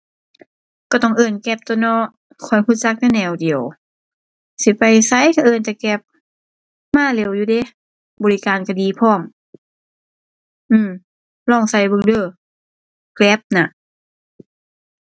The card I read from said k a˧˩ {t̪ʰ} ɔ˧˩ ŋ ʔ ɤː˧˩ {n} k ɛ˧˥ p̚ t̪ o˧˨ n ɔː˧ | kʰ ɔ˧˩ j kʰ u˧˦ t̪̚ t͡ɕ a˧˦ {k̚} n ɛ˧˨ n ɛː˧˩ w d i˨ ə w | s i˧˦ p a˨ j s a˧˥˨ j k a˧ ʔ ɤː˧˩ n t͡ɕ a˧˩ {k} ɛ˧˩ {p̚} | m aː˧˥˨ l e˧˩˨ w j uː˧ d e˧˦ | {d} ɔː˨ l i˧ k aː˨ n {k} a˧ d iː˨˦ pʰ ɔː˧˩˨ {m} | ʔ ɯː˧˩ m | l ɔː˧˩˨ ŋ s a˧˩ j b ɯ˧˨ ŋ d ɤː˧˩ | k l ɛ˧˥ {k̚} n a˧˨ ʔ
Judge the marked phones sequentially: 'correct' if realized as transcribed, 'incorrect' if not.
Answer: incorrect: t̪, correct, correct, correct, correct, incorrect: b, correct, correct, incorrect: p̚

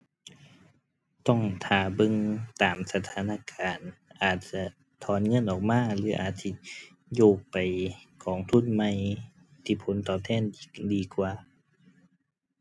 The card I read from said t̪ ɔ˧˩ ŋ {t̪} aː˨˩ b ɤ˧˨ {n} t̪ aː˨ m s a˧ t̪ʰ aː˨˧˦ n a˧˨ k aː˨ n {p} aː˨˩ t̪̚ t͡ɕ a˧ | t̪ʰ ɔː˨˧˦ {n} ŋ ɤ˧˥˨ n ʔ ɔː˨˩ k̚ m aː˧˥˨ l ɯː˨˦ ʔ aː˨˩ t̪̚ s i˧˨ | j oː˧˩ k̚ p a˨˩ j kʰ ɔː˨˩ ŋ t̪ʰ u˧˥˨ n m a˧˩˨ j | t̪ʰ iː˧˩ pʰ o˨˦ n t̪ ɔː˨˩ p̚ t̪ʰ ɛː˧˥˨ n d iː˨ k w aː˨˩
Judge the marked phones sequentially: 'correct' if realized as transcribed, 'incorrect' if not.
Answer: incorrect: t̪ʰ, incorrect: ŋ, incorrect: ʔ, correct

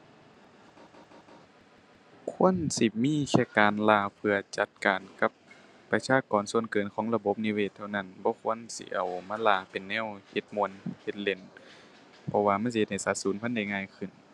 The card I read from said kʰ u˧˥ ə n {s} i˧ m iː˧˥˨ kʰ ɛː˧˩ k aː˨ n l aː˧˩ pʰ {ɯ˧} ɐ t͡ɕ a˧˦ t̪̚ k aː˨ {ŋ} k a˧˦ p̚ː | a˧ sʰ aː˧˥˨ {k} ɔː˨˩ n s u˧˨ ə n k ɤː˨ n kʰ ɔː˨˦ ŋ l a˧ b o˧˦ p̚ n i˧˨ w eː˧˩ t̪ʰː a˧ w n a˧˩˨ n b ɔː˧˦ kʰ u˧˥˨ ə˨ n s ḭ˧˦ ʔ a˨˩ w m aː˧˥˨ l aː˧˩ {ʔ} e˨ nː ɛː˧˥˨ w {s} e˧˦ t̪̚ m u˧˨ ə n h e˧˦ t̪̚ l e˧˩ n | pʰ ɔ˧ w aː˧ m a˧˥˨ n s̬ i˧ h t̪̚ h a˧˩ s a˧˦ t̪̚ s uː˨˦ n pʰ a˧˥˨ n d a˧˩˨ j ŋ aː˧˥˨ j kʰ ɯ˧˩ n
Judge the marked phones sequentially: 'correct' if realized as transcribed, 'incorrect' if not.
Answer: correct, correct, incorrect: n, correct, incorrect: p, incorrect: h

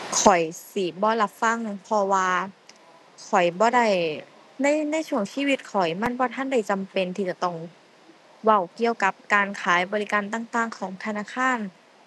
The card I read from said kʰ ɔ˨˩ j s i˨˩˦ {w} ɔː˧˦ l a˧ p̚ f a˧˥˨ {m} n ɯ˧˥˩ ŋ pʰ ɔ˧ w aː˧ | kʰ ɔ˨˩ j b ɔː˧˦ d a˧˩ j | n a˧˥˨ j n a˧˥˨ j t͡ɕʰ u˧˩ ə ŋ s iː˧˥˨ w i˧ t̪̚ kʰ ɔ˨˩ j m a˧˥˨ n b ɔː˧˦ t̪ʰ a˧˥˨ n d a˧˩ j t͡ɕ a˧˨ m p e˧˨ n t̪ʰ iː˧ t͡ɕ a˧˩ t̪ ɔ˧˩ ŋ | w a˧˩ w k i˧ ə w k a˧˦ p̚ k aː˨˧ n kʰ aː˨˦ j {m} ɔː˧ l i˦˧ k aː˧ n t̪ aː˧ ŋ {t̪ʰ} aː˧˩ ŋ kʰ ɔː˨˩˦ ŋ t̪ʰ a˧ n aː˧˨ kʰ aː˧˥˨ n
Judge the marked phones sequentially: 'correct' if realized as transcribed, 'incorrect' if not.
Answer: incorrect: b, incorrect: ŋ, incorrect: b, incorrect: t̪

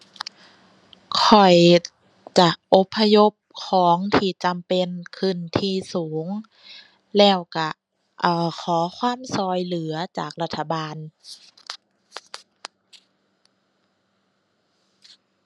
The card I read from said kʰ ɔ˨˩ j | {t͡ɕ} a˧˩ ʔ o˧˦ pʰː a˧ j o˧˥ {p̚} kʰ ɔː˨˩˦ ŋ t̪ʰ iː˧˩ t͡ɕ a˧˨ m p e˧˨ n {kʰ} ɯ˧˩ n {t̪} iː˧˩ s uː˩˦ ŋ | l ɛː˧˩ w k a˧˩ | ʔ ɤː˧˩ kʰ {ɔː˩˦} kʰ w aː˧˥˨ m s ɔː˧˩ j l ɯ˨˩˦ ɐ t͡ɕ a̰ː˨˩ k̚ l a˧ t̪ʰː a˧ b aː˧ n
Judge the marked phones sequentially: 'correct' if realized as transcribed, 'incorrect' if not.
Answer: correct, correct, correct, incorrect: t̪ʰ, correct

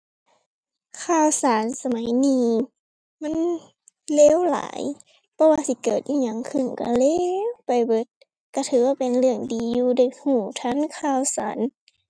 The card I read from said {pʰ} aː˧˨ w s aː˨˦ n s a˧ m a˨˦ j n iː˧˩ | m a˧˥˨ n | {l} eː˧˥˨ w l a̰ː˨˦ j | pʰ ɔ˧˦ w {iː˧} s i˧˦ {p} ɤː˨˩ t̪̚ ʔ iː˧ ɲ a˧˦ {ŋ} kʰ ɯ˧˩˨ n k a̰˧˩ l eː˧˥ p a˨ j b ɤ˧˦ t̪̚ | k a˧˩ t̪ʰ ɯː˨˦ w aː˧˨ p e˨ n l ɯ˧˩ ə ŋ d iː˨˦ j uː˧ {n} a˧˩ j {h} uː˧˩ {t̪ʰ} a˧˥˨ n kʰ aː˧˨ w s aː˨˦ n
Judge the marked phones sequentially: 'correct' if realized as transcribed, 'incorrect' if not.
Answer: incorrect: kʰ, correct, incorrect: aː˧, incorrect: k, correct, incorrect: d, correct, correct

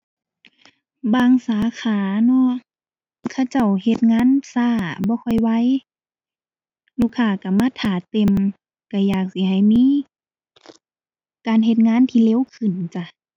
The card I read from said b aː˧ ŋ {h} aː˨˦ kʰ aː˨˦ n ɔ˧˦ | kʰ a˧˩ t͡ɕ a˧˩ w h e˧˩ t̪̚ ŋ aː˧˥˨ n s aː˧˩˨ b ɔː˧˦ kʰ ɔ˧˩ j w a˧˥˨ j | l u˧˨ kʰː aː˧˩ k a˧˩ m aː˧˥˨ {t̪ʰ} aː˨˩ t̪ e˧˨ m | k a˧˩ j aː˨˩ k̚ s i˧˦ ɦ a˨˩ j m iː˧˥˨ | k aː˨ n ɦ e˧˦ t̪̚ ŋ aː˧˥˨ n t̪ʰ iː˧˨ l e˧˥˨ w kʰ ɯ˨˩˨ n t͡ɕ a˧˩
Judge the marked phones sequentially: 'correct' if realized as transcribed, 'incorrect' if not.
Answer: incorrect: s, correct

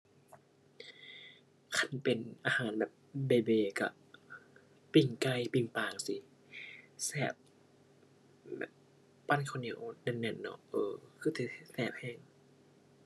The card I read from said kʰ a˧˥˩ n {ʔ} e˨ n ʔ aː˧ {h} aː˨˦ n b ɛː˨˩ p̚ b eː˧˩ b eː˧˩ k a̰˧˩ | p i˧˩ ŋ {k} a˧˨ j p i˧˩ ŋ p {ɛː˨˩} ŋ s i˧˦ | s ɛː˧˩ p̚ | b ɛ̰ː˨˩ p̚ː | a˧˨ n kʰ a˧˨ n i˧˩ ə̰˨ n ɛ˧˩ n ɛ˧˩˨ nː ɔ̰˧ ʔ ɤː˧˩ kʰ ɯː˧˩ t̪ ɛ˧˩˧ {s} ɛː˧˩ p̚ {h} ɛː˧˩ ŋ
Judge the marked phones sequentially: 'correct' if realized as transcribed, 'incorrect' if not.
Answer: incorrect: p, correct, correct, incorrect: aː˨˩, correct, correct

